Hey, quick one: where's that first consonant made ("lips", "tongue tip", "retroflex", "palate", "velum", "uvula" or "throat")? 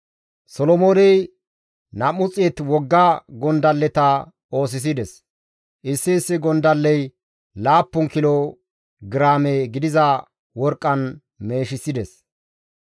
tongue tip